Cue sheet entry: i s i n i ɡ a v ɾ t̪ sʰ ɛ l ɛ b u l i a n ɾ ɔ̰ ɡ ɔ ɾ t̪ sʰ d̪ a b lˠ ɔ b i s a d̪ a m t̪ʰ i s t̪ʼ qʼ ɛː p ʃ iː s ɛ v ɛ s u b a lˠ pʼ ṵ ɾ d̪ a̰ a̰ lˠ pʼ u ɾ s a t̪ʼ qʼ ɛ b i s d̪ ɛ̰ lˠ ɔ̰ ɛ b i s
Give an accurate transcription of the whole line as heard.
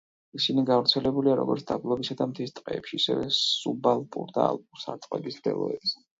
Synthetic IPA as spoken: i s i n i ɡ a v ɾ t̪ sʰ ɛ l ɛ b u l i a ɾ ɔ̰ ɡ ɔ ɾ t̪ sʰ d̪ a b lˠ ɔ b i s a d̪ a m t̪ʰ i s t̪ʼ qʼ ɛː p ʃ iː s ɛ v ɛ s u b a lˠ pʼ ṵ ɾ d̪ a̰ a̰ lˠ pʼ u ɾ s a t̪ʼ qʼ ɛ b i s d̪ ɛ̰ lˠ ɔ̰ ɛ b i s